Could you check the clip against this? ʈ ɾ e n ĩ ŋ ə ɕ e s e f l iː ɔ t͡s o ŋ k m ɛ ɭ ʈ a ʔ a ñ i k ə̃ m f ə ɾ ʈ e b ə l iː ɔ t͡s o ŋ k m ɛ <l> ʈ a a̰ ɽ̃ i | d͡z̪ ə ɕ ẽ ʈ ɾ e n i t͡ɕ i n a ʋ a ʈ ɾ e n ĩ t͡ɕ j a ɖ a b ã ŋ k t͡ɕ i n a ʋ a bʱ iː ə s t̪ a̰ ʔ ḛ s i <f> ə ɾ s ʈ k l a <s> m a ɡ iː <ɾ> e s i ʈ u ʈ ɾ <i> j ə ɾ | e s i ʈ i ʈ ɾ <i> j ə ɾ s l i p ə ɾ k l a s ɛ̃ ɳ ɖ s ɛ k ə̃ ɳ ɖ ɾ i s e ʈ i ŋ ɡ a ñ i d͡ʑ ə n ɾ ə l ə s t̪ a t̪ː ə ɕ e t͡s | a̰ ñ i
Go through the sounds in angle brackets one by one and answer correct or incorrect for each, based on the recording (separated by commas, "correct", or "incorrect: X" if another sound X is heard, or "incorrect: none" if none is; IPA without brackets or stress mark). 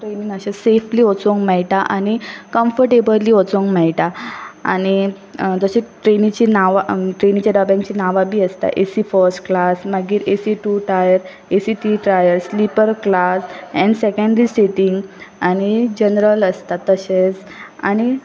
incorrect: ɭ, correct, correct, correct, incorrect: a, incorrect: a